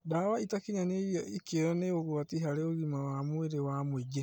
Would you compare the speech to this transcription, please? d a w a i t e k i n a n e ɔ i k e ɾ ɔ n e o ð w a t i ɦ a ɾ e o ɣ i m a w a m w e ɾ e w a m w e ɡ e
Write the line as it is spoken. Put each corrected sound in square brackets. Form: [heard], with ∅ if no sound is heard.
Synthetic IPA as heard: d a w a i t [a] k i [ɲ] a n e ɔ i k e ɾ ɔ n e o [ɣ] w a t i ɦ a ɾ e o ɣ i m a w a m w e ɾ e w a m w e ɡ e